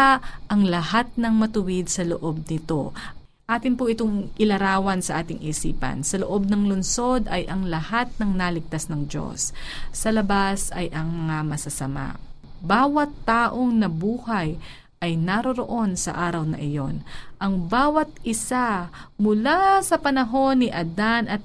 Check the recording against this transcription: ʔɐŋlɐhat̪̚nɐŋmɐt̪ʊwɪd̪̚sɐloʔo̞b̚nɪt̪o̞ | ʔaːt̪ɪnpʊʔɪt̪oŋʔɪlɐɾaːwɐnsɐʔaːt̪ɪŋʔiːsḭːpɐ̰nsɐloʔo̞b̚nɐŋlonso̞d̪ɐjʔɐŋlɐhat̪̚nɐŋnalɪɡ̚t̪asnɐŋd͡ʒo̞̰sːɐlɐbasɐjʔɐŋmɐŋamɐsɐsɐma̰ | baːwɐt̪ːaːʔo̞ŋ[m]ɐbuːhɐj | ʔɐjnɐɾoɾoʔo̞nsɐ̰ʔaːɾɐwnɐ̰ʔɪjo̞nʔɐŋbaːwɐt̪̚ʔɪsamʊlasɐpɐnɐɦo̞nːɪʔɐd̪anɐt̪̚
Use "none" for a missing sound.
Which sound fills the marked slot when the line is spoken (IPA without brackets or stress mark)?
n